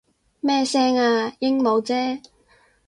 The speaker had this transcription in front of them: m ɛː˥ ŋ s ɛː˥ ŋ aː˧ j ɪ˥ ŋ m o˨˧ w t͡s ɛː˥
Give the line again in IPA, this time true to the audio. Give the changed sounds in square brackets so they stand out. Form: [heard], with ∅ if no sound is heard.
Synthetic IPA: m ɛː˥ [∅] s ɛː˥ ŋ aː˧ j ɪ˥ ŋ m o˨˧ w t͡s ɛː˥